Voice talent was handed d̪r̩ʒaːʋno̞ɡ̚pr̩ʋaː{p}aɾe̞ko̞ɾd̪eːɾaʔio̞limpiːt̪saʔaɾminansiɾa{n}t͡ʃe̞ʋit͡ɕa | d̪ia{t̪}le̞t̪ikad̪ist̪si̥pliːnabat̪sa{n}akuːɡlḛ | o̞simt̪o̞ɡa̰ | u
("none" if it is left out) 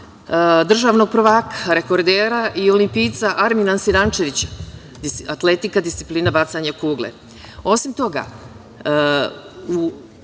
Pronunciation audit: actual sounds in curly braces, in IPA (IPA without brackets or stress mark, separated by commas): k, n, t̪, ɲ